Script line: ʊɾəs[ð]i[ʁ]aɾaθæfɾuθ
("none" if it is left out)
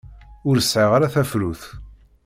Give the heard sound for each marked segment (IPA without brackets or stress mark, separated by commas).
ʕ, ʁ